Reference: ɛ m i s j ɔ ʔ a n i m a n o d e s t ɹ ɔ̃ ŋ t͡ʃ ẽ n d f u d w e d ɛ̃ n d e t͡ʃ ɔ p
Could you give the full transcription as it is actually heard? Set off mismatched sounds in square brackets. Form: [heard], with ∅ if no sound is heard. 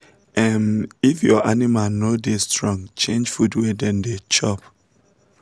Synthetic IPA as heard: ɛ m i [f] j ɔ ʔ a n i m a n o d e s t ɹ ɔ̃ ŋ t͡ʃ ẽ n [d͡ʒ] f u d w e d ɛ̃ n d e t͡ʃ ɔ p